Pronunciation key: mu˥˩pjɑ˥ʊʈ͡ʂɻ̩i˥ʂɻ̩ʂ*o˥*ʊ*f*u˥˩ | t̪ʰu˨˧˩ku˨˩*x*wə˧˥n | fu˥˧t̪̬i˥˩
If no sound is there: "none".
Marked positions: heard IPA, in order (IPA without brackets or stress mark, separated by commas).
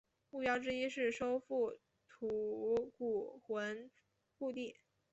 o˥, f, x